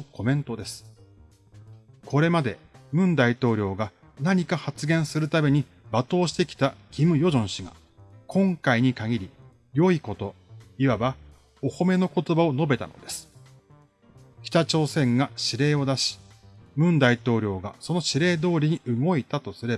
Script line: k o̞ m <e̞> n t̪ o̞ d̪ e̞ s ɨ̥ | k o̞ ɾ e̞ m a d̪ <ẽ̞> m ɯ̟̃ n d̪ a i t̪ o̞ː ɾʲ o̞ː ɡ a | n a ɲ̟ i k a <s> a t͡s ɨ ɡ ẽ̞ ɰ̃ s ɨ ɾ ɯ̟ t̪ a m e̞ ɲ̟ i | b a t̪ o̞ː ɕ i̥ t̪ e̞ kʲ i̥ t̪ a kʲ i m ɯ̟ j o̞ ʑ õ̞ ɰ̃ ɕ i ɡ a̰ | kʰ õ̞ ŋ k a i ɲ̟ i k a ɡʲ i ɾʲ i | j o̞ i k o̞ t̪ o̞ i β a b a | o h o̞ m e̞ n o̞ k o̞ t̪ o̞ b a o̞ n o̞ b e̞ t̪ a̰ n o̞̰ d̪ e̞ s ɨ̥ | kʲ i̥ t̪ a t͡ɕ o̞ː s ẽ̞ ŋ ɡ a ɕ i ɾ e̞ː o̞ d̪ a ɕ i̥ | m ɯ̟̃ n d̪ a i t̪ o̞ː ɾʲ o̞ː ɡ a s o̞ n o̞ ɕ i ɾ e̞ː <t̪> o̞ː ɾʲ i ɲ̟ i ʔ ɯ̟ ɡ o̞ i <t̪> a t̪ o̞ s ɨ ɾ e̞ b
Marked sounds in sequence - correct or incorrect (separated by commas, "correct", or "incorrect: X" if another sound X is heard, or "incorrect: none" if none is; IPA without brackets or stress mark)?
incorrect: ẽ̞, incorrect: e̞, incorrect: h, incorrect: d̪, correct